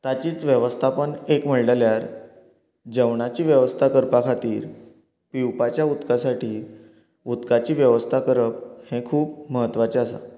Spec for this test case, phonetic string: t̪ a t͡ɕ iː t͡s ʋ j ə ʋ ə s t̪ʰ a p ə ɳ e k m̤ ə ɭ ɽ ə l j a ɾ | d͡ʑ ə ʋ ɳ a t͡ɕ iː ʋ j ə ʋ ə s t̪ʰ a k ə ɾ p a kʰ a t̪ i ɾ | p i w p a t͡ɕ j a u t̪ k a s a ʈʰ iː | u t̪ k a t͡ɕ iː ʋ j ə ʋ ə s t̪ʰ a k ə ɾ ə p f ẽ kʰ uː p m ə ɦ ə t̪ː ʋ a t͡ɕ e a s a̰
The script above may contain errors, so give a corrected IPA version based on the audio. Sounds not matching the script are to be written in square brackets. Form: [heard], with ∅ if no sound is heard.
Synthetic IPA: t̪ a t͡ɕ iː t͡s ʋ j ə ʋ ə s t̪ʰ a p ə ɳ e k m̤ ə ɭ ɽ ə l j a ɾ | d͡ʑ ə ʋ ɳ a t͡ɕ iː ʋ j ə ʋ ə s t̪ʰ a k ə ɾ p a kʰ a t̪ [iː] ɾ | p i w p a t͡ɕ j a u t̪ k a s a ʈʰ iː | u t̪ k a t͡ɕ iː ʋ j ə ʋ ə s t̪ʰ a k ə ɾ ə p [h] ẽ kʰ uː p m ə ɦ ə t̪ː ʋ a t͡ɕ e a s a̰